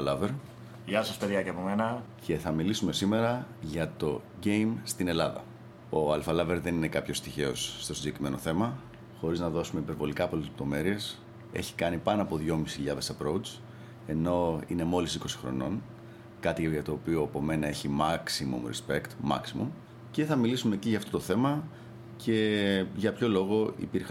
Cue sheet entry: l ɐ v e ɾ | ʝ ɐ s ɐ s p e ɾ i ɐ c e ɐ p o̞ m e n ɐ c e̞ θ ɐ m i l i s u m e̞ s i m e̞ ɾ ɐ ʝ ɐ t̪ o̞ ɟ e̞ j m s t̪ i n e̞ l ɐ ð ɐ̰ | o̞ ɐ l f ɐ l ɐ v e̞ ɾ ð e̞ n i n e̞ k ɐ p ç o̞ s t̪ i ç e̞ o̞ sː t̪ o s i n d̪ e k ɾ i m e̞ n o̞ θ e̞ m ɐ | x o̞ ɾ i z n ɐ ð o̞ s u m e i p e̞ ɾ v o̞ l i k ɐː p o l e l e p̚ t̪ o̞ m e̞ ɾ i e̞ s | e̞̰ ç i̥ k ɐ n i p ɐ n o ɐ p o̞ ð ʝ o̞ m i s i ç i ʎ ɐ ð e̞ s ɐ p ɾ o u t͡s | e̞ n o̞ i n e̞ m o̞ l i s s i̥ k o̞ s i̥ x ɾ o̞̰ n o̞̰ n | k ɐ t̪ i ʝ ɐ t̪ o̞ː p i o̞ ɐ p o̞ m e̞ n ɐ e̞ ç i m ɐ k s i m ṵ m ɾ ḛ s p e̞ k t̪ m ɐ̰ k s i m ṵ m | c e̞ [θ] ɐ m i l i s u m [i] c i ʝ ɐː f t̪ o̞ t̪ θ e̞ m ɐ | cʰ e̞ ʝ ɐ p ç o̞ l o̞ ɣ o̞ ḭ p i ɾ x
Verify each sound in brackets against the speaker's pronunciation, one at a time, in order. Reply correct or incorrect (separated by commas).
correct, incorrect